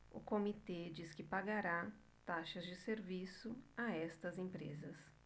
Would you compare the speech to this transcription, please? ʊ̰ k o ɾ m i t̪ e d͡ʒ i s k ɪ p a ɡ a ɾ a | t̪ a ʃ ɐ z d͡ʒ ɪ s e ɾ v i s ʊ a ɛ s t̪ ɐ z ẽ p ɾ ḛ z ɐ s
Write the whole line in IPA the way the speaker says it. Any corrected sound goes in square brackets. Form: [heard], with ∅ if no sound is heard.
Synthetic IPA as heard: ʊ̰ k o [∅] m i t̪ e d͡ʒ i s k ɪ p a ɡ a ɾ a | t̪ a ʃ ɐ z d͡ʒ ɪ s e ɾ v i s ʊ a ɛ s t̪ ɐ z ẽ p ɾ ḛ z ɐ s